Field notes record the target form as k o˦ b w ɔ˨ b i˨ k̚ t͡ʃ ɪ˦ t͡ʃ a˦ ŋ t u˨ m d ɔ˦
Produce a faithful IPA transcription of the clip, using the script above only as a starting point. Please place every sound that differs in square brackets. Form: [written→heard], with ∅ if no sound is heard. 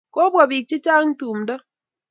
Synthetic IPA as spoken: k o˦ b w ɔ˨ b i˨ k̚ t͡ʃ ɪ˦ t͡ʃ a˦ ŋ t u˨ m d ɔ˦